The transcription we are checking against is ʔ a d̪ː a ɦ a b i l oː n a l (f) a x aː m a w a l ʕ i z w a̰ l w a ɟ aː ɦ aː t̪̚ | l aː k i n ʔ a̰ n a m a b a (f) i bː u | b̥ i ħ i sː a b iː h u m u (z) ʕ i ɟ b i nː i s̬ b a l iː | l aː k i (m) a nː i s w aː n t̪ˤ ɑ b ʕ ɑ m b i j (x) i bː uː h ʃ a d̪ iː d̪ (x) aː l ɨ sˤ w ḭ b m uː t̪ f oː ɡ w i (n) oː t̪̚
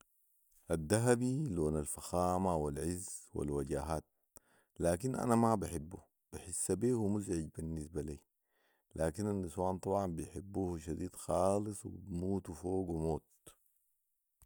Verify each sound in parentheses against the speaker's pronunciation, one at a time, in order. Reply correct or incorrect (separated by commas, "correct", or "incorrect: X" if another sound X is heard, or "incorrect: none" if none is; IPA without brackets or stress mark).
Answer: correct, incorrect: ħ, correct, incorrect: n, incorrect: ħ, correct, incorrect: m